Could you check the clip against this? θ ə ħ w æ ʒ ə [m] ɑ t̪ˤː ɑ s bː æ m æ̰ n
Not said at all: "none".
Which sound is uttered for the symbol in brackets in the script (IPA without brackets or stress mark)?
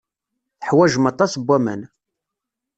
m